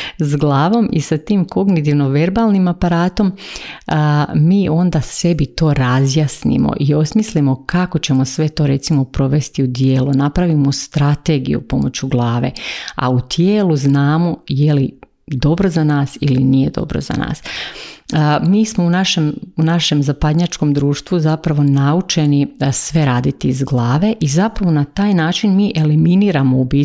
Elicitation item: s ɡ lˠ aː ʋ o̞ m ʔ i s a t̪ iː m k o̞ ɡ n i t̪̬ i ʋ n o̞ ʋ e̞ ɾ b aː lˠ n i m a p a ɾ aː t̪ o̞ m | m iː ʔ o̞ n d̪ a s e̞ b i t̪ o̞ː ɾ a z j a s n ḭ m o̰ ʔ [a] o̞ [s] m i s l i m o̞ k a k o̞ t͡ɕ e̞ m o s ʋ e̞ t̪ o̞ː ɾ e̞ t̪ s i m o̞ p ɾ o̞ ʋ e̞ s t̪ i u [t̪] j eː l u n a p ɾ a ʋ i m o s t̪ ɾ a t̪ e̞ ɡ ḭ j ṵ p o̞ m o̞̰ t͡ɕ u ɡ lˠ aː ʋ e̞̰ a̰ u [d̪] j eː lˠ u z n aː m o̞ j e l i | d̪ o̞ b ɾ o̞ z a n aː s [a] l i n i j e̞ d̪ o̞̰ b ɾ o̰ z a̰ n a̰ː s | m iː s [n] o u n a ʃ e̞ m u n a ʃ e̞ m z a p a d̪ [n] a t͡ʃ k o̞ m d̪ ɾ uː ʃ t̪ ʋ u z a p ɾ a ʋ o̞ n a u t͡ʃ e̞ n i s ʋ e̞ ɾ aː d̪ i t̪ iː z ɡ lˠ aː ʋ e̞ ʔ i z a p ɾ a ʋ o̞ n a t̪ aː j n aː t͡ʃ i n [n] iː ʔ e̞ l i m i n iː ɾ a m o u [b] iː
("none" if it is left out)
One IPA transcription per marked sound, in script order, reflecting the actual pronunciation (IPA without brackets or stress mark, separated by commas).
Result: i, s, d̪, t̪, i, m, ɲ, m, b